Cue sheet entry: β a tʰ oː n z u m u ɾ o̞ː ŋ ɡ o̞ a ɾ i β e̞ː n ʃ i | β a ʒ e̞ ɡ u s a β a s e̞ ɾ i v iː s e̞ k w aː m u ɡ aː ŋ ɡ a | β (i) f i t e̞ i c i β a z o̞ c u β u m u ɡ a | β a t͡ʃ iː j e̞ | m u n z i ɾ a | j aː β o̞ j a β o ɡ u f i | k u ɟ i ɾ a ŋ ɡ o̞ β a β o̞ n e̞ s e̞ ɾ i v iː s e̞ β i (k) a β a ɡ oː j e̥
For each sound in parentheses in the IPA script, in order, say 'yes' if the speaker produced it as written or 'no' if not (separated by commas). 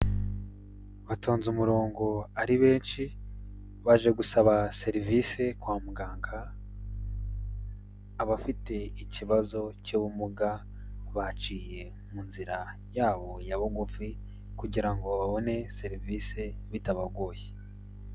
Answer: no, no